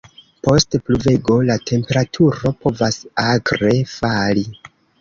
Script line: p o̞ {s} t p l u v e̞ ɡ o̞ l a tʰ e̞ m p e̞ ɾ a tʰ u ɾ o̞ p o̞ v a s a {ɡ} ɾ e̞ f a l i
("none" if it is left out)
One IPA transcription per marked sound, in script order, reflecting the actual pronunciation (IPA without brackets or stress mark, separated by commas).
s, ɡ